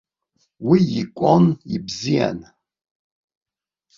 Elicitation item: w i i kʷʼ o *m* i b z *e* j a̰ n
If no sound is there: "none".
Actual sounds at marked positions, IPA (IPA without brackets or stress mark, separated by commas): n, i